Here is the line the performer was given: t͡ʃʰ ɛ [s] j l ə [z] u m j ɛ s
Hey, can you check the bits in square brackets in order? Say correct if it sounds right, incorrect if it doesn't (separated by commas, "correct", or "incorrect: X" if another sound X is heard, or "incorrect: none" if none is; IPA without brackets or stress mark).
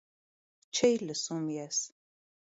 incorrect: none, incorrect: s